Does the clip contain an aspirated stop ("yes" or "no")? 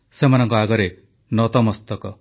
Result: no